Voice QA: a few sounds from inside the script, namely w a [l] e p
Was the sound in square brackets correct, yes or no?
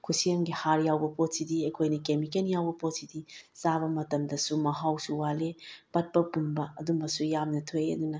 yes